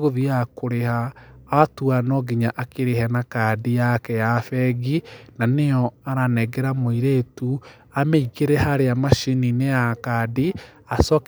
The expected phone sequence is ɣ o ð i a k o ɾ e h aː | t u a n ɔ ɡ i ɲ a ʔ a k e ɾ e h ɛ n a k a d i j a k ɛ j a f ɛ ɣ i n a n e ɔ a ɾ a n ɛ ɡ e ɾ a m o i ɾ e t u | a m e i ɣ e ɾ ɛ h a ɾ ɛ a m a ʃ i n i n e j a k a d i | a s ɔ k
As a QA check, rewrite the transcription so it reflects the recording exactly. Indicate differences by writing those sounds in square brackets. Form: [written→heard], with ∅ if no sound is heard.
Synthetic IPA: ɣ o ð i a k o ɾ e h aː | t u a n ɔ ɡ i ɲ a ʔ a k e ɾ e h ɛ n a k a d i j a k ɛ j a f ɛ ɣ i n a n e ɔ a ɾ a n ɛ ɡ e ɾ a m o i ɾ e t u | a m e i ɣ e ɾ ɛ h a ɾ [ɛ→e] a m a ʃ i n i n e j a k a d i | a s ɔ k